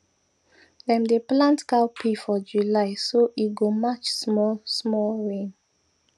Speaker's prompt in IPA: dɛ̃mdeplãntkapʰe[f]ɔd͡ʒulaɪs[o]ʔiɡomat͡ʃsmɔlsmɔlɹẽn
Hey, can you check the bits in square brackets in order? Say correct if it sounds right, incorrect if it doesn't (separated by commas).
correct, correct